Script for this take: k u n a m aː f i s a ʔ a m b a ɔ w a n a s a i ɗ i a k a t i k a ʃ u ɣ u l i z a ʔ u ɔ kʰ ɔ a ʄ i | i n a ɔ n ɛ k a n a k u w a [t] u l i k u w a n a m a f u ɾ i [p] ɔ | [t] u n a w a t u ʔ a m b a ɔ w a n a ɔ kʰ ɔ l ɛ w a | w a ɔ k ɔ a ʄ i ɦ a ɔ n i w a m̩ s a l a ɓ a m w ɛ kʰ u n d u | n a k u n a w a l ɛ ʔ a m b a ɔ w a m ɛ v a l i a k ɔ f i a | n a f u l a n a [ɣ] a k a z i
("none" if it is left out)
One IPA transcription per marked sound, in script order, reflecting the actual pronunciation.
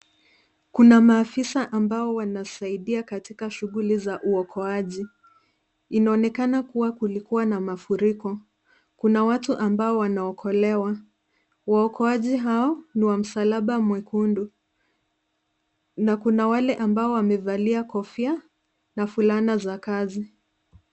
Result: k, k, k, z

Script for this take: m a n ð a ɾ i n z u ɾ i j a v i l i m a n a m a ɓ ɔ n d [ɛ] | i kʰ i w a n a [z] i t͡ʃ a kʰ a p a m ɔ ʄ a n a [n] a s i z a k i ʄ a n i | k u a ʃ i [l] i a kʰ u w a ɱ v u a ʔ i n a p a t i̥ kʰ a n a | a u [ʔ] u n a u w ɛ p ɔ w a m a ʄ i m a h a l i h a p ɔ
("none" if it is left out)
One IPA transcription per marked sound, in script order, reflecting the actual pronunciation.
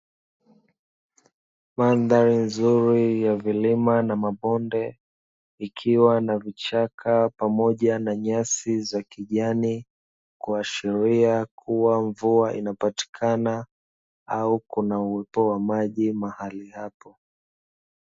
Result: ɛ, v, ɲ, ɾ, k

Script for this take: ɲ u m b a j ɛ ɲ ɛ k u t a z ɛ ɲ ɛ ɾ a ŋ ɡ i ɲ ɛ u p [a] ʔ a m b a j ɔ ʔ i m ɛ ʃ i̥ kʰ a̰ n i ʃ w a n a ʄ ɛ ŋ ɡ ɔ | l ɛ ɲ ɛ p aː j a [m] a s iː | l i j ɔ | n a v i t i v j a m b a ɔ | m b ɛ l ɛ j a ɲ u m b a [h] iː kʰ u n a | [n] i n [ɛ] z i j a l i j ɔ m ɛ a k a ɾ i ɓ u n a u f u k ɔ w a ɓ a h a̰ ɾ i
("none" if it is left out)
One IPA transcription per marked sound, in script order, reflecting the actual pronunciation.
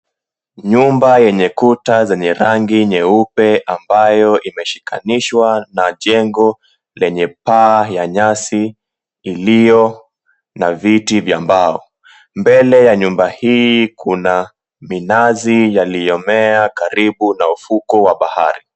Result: ɛ, ɲ, h, m, a

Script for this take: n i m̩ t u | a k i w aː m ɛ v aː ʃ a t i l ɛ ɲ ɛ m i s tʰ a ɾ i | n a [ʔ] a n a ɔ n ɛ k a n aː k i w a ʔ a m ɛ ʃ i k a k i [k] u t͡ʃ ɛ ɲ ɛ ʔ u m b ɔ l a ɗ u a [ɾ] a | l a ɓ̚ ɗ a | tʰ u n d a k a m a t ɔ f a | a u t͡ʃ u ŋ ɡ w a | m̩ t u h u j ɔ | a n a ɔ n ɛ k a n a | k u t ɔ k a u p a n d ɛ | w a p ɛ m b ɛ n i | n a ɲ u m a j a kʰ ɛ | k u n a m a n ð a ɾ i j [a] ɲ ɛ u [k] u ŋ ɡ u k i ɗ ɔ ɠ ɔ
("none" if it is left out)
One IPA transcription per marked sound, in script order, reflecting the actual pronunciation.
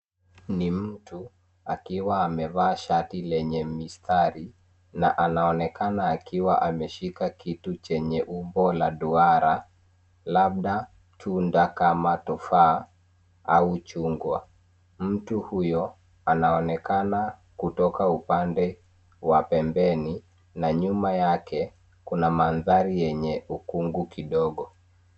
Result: ʔ, t, ɾ, ɛ, k

